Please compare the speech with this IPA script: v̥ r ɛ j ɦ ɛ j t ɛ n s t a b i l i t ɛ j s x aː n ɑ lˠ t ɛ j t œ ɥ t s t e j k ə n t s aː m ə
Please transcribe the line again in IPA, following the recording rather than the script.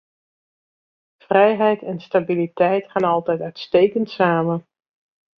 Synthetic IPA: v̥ r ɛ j ɦ ɛ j t ɛ n s t a b i l i t ɛ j t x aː n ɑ lˠ t ɛ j t œ ɥ t s t e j k ə n t s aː m ə